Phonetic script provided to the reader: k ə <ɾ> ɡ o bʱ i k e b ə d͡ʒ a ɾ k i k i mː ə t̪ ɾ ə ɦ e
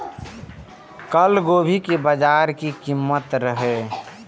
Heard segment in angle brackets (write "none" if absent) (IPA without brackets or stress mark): l